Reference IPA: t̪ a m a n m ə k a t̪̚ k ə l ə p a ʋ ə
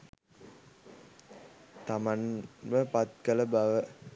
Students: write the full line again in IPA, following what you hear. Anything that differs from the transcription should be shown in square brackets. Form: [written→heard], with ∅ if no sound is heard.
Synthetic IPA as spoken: t̪ a m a n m ə [k→p] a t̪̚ k ə l ə [p→b] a ʋ ə